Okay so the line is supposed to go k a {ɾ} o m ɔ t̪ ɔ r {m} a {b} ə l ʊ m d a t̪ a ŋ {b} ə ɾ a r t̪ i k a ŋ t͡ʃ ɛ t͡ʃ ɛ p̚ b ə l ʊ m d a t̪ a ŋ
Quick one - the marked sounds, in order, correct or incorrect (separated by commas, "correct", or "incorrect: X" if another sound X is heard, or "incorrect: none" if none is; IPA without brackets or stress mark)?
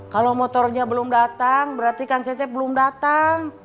incorrect: l, incorrect: ɲ, correct, correct